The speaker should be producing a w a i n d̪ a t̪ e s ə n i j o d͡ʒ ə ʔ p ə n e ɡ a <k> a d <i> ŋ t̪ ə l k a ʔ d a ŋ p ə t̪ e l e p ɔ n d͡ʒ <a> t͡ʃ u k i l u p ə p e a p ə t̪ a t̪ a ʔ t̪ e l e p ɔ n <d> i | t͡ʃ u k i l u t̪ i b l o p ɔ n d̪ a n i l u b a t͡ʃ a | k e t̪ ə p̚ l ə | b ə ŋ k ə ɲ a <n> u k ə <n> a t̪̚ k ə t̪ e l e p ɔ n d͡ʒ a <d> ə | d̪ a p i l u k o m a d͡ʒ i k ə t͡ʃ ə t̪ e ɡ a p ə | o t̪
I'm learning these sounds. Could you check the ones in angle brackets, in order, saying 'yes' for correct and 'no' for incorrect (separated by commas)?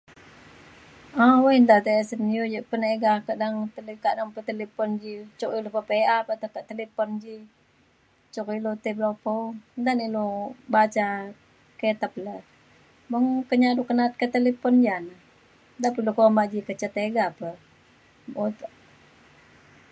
yes, no, no, no, no, yes, no